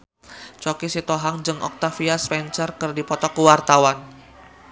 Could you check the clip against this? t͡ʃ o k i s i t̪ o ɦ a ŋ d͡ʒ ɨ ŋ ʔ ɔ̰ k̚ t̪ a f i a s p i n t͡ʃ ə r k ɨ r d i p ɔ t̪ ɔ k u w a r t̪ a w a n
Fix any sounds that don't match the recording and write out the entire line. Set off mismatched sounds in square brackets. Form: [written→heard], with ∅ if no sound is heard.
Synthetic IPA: t͡ʃ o k i s i t̪ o ɦ a ŋ d͡ʒ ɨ ŋ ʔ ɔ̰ k̚ t̪ a f i a s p [i→ɛ] n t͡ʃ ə r k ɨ r d i p ɔ t̪ ɔ k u w a r t̪ a w a n

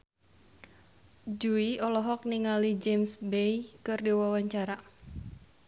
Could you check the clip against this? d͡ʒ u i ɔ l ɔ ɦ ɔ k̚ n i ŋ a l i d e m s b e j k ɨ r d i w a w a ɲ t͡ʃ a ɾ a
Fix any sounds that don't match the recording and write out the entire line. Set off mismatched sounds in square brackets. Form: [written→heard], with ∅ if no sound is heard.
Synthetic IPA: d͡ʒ u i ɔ l ɔ ɦ ɔ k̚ n i ŋ a l i [d→d͡ʒ] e m s b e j k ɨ r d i w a w a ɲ t͡ʃ a ɾ a

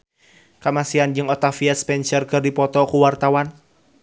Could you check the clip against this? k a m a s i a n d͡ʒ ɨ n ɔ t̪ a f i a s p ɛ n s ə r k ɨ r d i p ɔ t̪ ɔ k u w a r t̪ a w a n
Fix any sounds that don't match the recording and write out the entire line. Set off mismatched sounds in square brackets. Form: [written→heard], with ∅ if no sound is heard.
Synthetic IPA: k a m a s i a n d͡ʒ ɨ [n→ŋ] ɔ t̪ a f i a s p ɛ n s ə r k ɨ r d i p ɔ t̪ ɔ k u w a r t̪ a w a n

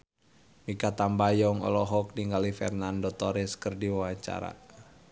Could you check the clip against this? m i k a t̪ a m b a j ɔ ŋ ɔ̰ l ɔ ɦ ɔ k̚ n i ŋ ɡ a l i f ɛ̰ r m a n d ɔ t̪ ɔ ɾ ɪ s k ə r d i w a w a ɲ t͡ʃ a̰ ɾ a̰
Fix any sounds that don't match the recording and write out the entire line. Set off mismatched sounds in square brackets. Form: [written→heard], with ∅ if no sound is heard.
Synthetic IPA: m i k a t̪ a m b a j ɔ ŋ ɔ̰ l ɔ ɦ ɔ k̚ n i ŋ ɡ a l i f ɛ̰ r [m→n] a n d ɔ t̪ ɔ ɾ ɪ s k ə r d i w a w a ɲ t͡ʃ a̰ ɾ a̰

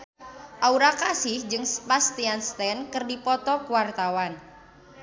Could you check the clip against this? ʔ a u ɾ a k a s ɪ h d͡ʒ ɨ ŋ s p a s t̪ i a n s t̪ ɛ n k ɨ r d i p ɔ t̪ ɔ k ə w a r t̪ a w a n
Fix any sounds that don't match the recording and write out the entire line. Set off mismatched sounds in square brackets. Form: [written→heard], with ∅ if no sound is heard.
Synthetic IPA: ʔ a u ɾ a k a s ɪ h d͡ʒ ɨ ŋ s p a s t̪ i a n s t̪ ɛ n k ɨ r d i p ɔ t̪ ɔ k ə w a r t̪ a w a n

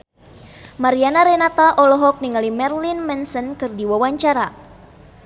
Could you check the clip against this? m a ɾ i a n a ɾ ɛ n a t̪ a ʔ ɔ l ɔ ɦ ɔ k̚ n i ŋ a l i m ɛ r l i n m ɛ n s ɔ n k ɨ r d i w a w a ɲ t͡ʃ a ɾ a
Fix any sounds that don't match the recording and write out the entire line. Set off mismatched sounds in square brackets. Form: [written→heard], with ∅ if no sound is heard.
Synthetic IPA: m a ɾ i a n a ɾ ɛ n a t̪ a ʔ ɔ l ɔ ɦ ɔ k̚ n i ŋ a l i m ɛ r l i n m ɛ n s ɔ n k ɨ r d i w a w a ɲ t͡ʃ a ɾ a

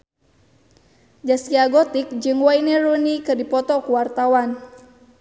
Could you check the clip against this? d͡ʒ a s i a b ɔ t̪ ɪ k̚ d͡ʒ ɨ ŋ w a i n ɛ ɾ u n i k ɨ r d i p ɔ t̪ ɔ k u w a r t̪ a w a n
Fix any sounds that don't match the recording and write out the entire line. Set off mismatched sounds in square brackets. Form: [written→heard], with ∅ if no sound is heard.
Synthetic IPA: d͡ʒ a s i a [b→ɡ] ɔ t̪ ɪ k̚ d͡ʒ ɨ ŋ w a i n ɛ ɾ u n i k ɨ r d i p ɔ t̪ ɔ k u w a r t̪ a w a n

